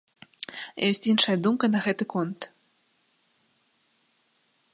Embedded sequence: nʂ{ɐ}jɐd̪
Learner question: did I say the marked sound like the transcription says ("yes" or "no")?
yes